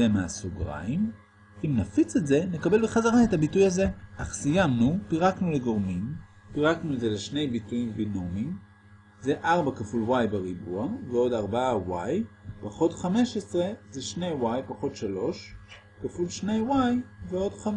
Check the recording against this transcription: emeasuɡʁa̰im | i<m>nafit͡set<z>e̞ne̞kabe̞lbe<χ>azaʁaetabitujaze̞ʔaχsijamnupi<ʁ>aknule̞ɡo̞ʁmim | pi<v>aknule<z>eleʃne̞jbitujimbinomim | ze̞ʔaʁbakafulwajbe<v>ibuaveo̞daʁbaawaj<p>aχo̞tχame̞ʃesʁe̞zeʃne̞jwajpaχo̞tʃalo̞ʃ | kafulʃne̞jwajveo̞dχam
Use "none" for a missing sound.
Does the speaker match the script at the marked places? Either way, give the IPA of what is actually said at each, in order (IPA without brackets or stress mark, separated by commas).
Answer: m, z, χ, ʁ, ʁ, z, ʁ, p